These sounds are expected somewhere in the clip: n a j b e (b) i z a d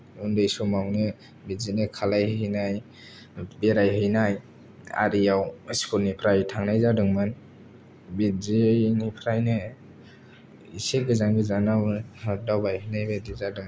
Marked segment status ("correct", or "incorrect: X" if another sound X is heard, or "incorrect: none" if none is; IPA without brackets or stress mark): incorrect: d